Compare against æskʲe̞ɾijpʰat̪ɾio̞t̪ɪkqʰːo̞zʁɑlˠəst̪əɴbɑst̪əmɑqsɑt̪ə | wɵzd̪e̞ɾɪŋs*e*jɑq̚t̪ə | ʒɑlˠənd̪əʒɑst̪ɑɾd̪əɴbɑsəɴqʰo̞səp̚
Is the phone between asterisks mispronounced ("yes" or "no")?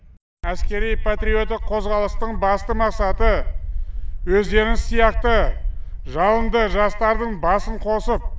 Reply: yes